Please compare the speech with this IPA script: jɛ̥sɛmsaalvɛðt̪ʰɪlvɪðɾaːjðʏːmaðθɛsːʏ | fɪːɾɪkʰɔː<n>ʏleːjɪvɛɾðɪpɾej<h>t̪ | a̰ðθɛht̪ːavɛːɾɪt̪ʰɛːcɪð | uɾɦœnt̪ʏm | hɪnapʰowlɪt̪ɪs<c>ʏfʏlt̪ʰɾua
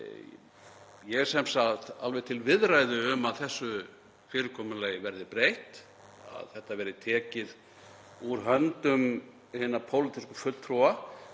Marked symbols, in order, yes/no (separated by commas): no, yes, no